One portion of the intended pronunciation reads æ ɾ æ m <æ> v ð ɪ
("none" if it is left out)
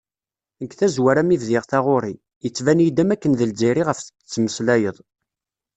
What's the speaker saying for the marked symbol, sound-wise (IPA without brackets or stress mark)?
i